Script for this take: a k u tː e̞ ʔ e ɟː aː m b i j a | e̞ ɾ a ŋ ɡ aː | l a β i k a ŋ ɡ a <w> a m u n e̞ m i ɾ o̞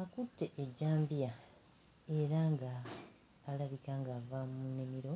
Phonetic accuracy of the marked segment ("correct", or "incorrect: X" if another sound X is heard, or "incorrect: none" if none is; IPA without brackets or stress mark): incorrect: v